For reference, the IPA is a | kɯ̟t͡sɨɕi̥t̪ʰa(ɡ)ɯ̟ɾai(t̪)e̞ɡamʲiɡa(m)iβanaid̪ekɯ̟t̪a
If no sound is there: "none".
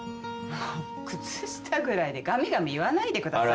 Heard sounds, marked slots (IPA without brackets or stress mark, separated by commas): ɡ, d̪, m